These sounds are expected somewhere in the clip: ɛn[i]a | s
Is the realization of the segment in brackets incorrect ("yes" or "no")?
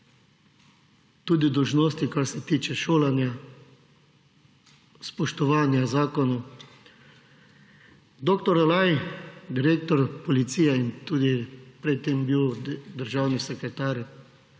yes